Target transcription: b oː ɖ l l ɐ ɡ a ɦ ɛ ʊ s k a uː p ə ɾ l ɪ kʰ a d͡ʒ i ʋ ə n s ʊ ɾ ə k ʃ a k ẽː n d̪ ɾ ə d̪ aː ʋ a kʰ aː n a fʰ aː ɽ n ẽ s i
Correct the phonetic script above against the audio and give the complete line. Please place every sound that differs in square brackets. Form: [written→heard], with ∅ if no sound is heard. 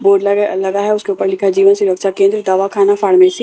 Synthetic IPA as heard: b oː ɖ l l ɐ ɡ a ɦ ɛ ʊ s k [a→e] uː p ə ɾ l ɪ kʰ a d͡ʒ [i→iː] ʋ ə n s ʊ ɾ ə k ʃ a k ẽː n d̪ ɾ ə d̪ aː ʋ a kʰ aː n a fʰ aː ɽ [n→m] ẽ s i